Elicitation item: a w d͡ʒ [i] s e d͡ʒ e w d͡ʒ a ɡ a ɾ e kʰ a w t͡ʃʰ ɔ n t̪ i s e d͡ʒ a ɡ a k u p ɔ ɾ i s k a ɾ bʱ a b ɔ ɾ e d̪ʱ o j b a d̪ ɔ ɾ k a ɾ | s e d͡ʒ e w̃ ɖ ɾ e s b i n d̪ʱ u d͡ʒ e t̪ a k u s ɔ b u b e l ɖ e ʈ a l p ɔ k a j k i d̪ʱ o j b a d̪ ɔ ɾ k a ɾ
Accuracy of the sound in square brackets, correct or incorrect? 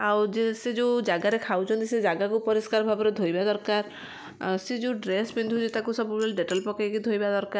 incorrect: e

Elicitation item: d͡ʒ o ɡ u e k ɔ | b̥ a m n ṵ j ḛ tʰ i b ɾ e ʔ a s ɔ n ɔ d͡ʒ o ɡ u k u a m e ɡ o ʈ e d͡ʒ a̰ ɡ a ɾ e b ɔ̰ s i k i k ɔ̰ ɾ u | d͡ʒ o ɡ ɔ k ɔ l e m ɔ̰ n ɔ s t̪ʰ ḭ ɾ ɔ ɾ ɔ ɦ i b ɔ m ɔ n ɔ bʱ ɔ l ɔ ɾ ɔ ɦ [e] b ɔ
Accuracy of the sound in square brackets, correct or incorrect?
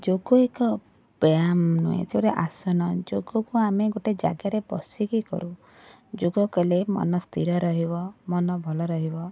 incorrect: i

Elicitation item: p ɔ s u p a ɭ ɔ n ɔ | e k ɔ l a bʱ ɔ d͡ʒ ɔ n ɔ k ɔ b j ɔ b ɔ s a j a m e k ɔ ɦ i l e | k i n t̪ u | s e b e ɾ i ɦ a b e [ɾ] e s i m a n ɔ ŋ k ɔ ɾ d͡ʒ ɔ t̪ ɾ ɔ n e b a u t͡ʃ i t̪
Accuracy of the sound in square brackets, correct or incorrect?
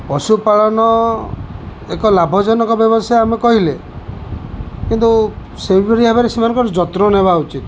correct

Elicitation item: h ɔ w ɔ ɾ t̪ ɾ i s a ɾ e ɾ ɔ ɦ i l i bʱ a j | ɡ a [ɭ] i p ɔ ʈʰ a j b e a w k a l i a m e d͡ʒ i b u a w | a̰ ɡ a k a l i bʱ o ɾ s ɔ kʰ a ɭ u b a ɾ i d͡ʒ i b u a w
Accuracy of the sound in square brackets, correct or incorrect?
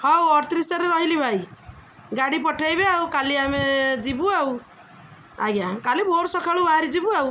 incorrect: ɽ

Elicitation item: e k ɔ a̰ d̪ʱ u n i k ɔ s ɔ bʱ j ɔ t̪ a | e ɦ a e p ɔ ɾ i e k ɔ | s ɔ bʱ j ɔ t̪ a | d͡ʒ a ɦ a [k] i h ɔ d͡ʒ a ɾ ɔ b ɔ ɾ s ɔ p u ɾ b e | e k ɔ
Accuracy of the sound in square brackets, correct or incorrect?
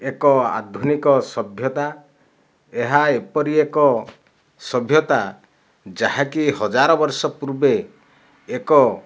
correct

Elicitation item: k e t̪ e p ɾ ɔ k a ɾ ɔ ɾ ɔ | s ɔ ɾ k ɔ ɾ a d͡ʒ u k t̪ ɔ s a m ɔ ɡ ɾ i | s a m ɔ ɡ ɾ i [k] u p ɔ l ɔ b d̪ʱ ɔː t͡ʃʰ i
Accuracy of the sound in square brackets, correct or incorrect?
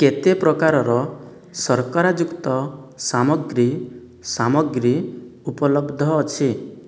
incorrect: none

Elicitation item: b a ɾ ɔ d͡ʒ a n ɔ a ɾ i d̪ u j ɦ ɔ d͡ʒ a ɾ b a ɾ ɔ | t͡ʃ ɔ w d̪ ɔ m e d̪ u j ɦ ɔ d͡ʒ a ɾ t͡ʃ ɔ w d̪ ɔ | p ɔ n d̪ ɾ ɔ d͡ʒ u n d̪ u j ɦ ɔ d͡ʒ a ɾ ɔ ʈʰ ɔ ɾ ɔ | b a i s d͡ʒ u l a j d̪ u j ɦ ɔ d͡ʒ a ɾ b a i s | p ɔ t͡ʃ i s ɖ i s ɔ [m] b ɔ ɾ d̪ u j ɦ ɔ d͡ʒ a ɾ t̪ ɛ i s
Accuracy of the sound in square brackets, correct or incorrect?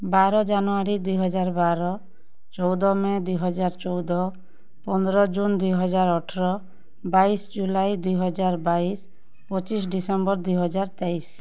correct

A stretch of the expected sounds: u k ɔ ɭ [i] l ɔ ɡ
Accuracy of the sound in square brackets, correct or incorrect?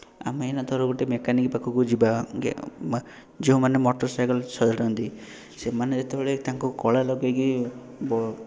incorrect: a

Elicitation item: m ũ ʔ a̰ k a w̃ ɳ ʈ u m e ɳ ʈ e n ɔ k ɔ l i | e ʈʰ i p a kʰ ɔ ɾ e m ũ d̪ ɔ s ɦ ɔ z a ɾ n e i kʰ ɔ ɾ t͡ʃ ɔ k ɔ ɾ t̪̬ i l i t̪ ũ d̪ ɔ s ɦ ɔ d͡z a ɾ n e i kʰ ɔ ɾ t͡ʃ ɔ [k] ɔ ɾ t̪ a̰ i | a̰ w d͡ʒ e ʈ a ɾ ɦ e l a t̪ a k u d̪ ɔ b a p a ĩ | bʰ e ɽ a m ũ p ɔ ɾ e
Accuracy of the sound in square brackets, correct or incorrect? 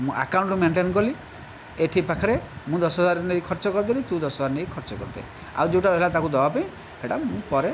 correct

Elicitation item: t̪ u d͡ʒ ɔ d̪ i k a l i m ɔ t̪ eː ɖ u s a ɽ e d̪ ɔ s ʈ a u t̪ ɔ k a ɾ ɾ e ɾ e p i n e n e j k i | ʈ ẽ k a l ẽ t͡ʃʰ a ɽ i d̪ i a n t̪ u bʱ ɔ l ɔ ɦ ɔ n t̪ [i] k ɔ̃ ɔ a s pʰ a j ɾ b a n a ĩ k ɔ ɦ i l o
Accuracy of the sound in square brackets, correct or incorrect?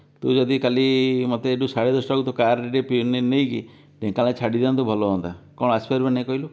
incorrect: a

